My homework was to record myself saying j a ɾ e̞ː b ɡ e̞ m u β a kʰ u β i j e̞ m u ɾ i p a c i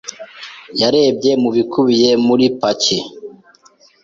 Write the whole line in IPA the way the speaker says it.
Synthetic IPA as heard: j a ɾ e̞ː b ɟ e̞ m u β i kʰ u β i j e̞ m u ɾ i p a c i